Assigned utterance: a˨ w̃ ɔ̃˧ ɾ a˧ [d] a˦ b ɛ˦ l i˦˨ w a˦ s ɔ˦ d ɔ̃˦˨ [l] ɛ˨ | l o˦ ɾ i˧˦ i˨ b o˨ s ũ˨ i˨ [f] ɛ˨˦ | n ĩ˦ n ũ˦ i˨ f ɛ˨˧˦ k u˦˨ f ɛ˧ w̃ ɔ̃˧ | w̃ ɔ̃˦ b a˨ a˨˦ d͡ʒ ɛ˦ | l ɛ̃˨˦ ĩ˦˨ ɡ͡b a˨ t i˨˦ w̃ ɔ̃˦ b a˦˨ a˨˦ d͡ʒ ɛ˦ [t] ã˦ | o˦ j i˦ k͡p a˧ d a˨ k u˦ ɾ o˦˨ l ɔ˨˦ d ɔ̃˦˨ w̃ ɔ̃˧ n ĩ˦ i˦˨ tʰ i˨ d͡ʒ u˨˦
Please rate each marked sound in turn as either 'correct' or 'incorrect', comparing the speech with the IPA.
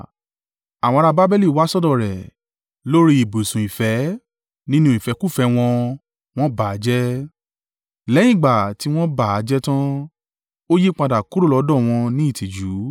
incorrect: b, incorrect: ɾ, correct, correct

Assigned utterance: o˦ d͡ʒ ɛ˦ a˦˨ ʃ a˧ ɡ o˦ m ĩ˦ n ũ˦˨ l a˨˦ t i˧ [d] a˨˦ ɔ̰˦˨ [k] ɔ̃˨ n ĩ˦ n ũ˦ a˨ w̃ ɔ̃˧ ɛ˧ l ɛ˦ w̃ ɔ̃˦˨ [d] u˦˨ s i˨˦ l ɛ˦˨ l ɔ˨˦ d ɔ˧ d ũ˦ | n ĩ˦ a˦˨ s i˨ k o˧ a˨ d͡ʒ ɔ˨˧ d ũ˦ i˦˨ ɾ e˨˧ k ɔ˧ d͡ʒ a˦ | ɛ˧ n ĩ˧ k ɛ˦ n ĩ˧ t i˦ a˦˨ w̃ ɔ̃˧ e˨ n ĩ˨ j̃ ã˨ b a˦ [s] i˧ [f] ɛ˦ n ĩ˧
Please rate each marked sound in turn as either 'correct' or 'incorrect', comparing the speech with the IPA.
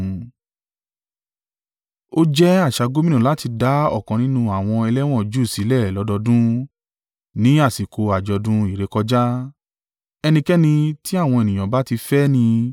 correct, correct, incorrect: d͡ʒ, incorrect: t, correct

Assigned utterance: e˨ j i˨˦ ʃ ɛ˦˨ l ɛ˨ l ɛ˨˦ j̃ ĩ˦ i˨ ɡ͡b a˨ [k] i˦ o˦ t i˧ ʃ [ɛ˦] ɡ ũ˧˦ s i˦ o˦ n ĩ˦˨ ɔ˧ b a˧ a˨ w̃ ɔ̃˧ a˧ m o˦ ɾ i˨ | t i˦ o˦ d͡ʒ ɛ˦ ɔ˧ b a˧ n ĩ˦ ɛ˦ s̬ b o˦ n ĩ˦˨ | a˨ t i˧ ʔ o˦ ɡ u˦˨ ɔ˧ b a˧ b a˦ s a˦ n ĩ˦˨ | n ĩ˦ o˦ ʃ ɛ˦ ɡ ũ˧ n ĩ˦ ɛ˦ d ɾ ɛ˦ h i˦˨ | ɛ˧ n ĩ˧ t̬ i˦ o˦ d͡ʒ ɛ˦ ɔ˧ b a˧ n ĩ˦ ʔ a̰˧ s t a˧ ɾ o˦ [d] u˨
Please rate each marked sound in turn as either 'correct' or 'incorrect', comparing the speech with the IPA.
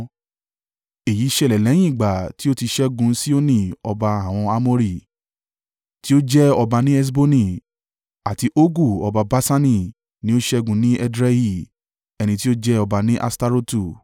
incorrect: t, correct, incorrect: t

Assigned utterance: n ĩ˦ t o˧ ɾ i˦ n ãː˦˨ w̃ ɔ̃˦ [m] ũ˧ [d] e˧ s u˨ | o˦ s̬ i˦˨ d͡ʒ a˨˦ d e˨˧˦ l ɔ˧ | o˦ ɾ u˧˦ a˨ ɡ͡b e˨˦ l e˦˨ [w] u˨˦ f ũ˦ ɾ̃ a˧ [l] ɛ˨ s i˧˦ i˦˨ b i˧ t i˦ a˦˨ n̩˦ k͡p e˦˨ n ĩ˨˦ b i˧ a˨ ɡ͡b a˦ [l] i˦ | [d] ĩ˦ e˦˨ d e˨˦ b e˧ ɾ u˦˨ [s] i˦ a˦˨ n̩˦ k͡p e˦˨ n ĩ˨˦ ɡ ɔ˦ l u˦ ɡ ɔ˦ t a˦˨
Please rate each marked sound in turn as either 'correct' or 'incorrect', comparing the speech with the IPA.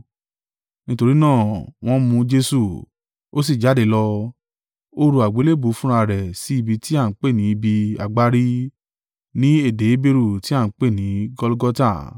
correct, incorrect: d͡ʒ, incorrect: b, incorrect: ɾ, incorrect: ɾ, incorrect: n, incorrect: t

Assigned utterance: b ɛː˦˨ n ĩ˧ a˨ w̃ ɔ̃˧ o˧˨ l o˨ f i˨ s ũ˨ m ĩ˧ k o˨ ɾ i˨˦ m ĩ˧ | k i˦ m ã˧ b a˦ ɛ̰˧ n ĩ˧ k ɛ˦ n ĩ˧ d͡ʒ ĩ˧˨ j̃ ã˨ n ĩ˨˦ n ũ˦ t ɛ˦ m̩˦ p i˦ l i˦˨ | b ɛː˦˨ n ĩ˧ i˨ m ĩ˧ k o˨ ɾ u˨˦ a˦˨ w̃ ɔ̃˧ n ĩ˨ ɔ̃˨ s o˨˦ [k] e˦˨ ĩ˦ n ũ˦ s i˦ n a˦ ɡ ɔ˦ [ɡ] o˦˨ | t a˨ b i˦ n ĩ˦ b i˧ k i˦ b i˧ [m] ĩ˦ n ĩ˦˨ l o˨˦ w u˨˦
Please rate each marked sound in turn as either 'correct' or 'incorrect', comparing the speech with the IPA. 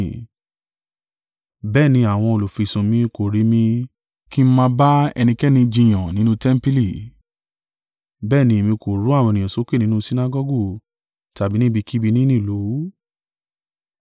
correct, correct, incorrect: n

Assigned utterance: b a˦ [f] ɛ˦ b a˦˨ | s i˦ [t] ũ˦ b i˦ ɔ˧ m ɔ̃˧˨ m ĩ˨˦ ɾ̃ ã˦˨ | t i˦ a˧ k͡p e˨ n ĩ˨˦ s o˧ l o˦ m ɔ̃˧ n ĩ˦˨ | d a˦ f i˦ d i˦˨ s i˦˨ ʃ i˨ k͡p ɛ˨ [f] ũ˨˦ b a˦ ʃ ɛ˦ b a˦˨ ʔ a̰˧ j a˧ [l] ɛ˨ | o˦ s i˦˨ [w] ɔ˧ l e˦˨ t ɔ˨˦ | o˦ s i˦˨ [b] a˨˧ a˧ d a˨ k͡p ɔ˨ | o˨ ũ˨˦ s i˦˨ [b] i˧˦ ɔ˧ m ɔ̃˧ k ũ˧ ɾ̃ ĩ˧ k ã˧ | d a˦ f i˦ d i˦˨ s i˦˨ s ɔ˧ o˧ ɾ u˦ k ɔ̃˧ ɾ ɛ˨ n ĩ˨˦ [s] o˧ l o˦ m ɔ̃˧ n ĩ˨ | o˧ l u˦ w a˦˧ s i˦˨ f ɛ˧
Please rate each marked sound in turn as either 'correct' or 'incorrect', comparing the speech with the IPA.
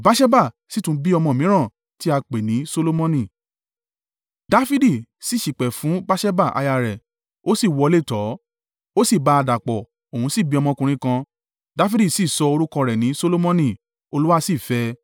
incorrect: ʃ, correct, correct, incorrect: ɾ, correct, correct, correct, correct

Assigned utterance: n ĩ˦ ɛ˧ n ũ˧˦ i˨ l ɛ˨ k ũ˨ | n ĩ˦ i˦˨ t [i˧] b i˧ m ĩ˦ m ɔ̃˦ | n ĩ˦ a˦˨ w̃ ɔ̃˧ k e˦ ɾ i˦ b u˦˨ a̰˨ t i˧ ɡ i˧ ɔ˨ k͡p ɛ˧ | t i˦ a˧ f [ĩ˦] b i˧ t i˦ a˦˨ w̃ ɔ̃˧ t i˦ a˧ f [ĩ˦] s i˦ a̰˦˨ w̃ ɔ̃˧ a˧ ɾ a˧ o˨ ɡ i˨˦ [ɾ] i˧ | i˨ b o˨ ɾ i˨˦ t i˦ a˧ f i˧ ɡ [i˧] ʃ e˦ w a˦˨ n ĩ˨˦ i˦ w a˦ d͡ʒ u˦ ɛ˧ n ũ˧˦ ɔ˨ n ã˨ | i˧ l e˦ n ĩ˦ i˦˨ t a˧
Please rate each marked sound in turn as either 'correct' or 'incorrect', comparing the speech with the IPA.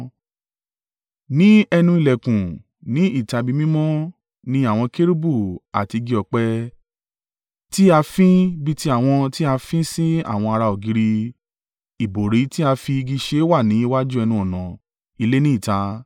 incorrect: a˧, correct, correct, correct, correct

